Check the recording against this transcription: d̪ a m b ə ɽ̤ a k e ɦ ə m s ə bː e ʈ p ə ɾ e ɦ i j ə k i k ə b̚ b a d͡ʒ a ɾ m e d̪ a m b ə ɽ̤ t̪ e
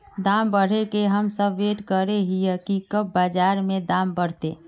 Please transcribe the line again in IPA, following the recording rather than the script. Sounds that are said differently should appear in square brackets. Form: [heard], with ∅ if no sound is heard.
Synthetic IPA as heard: d̪ a m b ə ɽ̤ [e] k e ɦ ə m s ə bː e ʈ [k] ə ɾ e ɦ i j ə k i k ə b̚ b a d͡ʒ a ɾ m e d̪ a m b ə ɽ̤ t̪ e